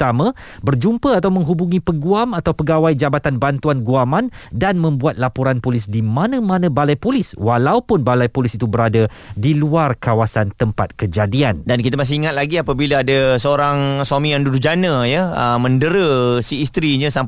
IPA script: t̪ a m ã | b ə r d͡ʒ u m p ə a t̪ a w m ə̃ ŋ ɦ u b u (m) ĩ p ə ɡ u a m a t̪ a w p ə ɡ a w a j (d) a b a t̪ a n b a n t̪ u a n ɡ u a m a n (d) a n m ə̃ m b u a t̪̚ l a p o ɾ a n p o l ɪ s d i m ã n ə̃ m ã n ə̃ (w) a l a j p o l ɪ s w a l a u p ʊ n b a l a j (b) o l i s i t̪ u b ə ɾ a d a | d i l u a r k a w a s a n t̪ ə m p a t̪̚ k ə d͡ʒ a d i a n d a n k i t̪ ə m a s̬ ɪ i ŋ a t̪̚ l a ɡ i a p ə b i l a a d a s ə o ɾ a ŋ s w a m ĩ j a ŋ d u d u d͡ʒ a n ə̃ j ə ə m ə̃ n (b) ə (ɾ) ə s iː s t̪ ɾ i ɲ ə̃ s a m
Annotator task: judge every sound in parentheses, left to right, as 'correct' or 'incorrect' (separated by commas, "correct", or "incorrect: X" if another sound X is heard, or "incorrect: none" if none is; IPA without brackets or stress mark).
incorrect: ŋ, incorrect: d͡ʒ, correct, incorrect: b, incorrect: p, incorrect: d, correct